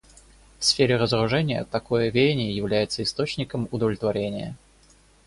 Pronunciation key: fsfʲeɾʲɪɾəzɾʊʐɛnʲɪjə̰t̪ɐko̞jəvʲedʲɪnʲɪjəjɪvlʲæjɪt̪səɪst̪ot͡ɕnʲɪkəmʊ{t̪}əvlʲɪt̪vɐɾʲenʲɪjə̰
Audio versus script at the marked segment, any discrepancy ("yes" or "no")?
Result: yes